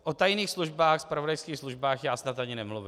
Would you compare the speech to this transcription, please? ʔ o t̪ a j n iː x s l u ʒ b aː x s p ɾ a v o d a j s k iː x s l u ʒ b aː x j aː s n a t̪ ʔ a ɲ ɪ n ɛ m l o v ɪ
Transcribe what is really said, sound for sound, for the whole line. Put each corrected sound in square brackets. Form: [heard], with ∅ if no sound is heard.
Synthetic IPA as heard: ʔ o t̪ a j n iː x s l u ʒ b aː x s p ɾ a v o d a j s k iː x s l u ʒ b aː x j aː s n a t̪ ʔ a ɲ ɪ n ɛ m l [u] v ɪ